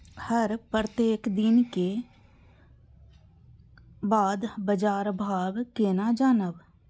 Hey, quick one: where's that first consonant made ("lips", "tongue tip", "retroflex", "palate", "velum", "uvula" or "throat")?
throat